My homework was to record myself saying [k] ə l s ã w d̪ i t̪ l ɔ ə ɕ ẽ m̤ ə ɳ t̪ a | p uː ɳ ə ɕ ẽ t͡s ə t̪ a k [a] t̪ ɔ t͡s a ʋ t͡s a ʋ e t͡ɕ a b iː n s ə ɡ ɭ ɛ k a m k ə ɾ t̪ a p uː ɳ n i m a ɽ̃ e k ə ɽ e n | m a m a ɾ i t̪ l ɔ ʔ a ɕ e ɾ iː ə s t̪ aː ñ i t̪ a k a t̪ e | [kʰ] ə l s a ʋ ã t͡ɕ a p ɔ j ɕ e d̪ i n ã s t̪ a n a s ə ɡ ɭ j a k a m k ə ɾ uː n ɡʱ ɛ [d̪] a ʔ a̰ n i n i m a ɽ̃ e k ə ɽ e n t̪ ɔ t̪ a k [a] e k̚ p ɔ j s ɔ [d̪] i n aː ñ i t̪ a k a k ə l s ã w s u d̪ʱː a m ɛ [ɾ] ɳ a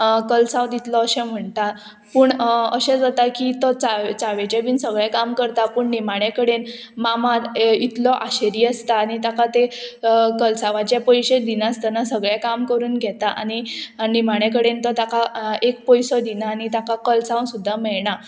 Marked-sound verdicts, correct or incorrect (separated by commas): correct, incorrect, incorrect, incorrect, correct, correct, incorrect